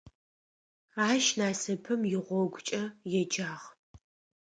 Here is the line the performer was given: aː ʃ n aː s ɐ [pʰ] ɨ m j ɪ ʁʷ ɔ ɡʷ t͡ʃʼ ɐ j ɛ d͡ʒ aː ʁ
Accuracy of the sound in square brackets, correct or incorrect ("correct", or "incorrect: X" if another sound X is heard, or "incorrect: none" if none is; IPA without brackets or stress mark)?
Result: correct